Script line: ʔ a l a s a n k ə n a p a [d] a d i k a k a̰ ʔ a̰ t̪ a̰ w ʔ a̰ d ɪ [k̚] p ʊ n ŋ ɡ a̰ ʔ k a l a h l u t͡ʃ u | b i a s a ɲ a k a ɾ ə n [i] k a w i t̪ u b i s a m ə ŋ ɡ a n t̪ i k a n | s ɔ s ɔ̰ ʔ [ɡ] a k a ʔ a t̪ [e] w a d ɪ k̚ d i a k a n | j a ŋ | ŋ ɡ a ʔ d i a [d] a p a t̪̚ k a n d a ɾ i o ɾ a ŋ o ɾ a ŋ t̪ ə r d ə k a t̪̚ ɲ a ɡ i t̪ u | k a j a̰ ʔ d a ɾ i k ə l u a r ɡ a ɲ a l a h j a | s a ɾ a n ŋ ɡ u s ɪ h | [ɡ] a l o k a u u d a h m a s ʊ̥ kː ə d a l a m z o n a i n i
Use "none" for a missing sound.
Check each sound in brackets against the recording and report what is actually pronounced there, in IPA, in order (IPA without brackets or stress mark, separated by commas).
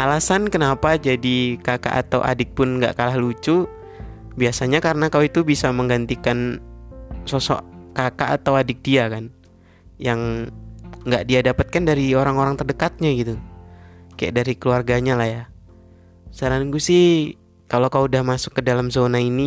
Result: d͡ʒ, k̚, a, k, a, d, k